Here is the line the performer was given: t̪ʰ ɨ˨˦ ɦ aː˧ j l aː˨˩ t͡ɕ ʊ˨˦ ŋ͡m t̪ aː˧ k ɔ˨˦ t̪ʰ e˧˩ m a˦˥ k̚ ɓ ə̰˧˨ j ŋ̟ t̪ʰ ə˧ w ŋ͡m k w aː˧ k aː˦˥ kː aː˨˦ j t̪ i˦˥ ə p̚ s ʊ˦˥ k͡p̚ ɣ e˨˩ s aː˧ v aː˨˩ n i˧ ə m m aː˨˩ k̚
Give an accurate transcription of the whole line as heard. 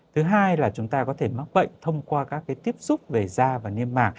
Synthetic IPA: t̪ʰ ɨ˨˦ ɦ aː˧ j l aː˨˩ t͡ɕ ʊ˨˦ ŋ͡m t̪ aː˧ k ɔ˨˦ t̪ʰ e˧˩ m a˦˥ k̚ ɓ ə̰˧˨ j ŋ̟ t̪ʰ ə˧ w ŋ͡m k w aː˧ k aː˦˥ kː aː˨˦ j t̪ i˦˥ ə p̚ s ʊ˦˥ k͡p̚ v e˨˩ z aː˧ v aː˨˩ n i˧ ə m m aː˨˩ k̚